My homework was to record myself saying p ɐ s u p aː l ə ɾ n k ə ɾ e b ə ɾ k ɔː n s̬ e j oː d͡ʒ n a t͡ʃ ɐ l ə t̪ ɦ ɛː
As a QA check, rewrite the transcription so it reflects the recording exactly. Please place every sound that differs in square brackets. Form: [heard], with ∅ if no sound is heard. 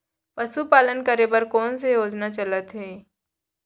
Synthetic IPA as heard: p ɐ s u p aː l ə [∅] n k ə ɾ e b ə ɾ k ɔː n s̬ e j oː d͡ʒ n a t͡ʃ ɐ l ə t̪ ɦ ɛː